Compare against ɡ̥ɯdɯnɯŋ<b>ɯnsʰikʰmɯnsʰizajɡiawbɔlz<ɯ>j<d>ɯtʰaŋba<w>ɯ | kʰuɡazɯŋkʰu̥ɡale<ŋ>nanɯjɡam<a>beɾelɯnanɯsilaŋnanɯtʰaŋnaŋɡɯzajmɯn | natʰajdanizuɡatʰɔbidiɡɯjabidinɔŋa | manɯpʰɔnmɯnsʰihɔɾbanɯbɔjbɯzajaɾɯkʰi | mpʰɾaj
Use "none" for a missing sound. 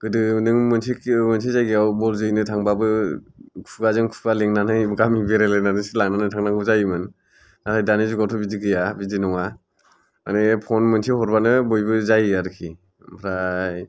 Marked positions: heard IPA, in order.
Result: m, ɯ, n, b, ŋ, i

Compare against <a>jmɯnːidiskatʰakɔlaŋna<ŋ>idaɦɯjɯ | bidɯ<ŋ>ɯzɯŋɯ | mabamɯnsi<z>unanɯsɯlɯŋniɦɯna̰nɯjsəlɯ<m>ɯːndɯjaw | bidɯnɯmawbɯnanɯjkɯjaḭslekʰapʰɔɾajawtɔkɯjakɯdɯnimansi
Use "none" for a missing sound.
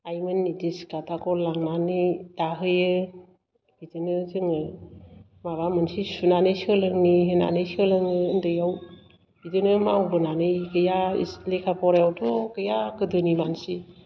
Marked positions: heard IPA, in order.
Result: a, n, n, s, ŋ

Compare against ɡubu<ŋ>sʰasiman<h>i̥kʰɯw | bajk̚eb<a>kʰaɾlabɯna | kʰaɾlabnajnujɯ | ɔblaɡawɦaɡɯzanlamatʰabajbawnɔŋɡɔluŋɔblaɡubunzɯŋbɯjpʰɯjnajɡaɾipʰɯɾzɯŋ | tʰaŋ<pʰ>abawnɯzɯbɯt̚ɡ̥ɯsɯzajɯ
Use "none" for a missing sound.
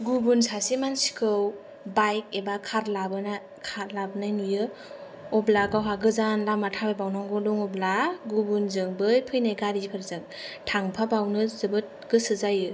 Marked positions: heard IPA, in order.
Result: n, s, a, pʰ

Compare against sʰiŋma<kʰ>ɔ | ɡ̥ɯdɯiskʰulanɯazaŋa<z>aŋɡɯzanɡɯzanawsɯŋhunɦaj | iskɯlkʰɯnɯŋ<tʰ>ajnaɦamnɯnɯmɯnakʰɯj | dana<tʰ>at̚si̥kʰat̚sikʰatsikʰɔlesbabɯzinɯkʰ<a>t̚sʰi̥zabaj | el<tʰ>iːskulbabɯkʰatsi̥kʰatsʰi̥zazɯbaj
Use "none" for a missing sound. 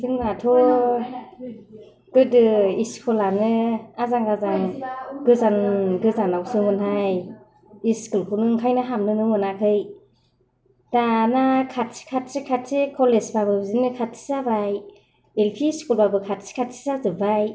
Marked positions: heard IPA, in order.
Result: tʰ, z, kʰ, kʰ, a, pʰ

